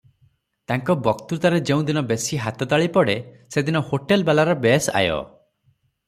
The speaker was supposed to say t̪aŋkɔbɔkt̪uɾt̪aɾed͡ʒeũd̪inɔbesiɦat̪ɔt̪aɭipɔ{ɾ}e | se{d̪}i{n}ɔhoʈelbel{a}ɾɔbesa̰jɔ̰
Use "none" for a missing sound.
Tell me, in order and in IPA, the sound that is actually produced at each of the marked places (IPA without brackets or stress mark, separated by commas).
ɽ, d̪, n, a